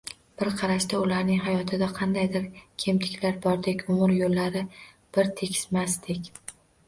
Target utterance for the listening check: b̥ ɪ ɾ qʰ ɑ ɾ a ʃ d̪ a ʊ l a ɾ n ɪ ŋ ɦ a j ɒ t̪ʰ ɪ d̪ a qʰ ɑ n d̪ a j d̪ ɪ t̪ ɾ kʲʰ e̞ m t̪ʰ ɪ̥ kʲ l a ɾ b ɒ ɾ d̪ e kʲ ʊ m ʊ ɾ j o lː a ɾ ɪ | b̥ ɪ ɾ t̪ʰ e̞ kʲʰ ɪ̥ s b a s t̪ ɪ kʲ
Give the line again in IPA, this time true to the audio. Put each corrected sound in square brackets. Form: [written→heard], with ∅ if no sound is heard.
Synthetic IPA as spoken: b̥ ɪ ɾ qʰ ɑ ɾ a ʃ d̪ a ʊ l a ɾ n ɪ ŋ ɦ a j ɒ t̪ʰ ɪ d̪ a qʰ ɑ n d̪ a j d̪ ɪ [t̪→∅] ɾ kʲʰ e̞ m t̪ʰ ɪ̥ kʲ l a ɾ b ɒ ɾ d̪ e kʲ ʊ m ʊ ɾ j o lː a ɾ ɪ | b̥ ɪ ɾ t̪ʰ e̞ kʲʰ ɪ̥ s [b→m] a s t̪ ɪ kʲ

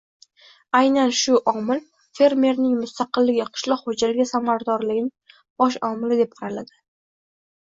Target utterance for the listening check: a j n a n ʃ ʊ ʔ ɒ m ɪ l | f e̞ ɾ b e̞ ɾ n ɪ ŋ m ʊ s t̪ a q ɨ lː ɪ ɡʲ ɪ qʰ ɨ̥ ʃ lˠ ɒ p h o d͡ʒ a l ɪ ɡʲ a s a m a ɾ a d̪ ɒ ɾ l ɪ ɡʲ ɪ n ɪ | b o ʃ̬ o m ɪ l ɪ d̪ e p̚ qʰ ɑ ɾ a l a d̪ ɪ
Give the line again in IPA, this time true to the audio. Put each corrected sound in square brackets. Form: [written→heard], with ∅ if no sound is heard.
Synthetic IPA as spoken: a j n a n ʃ ʊ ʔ ɒ m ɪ l | f e̞ ɾ [b→m] e̞ ɾ n ɪ ŋ m ʊ s t̪ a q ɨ lː ɪ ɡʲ ɪ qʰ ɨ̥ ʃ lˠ ɒ [p→q] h o d͡ʒ a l ɪ ɡʲ a s a m a ɾ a d̪ ɒ ɾ l ɪ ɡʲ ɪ n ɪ | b [o→ɒ] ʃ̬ [o→ɒ] m ɪ l ɪ d̪ e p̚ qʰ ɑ ɾ a l a d̪ ɪ

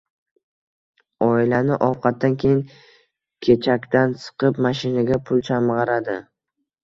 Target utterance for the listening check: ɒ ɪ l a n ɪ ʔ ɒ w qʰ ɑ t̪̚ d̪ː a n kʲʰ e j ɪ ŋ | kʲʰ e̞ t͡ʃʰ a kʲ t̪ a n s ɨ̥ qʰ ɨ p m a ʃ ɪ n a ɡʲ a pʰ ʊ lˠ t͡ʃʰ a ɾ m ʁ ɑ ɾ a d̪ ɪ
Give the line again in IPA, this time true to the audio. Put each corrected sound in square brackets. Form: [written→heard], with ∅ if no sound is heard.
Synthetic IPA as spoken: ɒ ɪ l a n ɪ ʔ ɒ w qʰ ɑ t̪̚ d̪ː a n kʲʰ e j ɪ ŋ | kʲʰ e̞ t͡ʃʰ a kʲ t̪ a n s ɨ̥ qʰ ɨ p m a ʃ ɪ n a ɡʲ a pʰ ʊ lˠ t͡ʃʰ a [ɾ→∅] m ʁ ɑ ɾ a d̪ ɪ

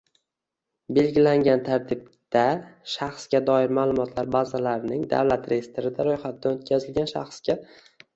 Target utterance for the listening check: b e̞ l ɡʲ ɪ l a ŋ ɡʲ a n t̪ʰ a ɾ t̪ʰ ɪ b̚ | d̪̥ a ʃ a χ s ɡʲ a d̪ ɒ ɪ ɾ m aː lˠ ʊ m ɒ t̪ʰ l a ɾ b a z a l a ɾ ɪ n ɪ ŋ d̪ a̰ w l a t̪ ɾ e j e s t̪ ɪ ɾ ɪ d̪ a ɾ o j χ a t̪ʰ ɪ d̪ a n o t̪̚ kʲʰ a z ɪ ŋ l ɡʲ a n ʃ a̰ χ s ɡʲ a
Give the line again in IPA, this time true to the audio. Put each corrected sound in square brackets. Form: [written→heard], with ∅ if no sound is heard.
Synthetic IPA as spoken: b e̞ l ɡʲ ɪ l a ŋ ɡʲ a n t̪ʰ a ɾ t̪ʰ ɪ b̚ | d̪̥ a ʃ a χ s ɡʲ a d̪ ɒ ɪ ɾ m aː lˠ ʊ m ɒ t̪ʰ l a ɾ b a z a l a ɾ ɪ n ɪ ŋ d̪ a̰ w l a t̪ ɾ e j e s t̪ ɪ ɾ ɪ d̪ a ɾ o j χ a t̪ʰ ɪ d̪ a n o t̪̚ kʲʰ a z ɪ [ŋ→∅] l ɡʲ a n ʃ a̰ χ s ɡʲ a

